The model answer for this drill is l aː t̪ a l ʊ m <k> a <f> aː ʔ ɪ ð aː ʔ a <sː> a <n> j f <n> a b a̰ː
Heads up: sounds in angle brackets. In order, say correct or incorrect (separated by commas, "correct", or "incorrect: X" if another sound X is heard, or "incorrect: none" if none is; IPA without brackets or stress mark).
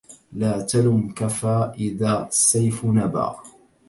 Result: correct, correct, correct, incorrect: none, correct